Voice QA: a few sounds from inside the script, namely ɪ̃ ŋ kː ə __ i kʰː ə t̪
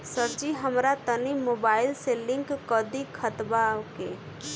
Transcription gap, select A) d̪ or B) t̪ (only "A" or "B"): A